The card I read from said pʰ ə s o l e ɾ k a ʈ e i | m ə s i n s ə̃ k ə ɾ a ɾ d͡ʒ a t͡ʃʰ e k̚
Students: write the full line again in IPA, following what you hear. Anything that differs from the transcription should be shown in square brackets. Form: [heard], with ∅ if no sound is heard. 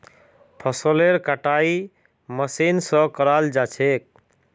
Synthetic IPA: pʰ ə s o l e ɾ k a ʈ [a] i | m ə s i n s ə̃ k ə ɾ a [l] d͡ʒ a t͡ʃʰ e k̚